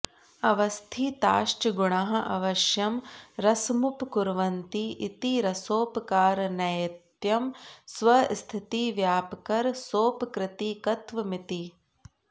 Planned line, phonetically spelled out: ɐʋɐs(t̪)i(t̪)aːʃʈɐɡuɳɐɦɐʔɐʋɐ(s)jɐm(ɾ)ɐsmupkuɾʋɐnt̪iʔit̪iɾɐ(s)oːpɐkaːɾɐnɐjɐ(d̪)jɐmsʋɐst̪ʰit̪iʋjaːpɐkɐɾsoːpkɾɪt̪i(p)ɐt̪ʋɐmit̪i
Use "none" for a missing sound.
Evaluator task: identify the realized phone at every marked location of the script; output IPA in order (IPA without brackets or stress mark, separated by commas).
t̪ʰ, t̪, ʃ, ɾ, s, t̪, k